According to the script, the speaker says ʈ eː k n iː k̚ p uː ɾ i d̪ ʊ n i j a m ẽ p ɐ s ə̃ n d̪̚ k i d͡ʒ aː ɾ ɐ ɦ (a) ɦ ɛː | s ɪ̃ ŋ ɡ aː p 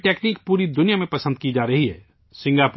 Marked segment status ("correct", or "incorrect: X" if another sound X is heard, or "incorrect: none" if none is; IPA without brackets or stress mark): incorrect: i